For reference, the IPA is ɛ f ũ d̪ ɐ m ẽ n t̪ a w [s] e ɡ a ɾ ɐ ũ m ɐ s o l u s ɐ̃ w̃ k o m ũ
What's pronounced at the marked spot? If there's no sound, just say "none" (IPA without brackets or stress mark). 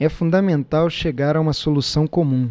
ʃ